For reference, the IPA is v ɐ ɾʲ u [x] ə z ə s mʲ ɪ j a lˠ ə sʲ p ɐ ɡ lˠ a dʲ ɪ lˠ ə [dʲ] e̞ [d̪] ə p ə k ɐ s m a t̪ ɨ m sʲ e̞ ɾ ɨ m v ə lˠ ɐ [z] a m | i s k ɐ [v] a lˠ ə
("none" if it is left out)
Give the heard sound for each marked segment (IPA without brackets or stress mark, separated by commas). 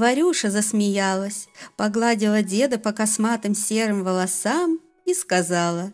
ʂ, dʲ, d̪, s, z